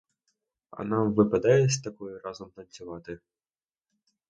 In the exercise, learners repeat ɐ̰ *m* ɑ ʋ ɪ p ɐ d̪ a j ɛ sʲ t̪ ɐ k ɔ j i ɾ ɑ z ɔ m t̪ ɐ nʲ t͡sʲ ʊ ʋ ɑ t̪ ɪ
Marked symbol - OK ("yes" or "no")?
no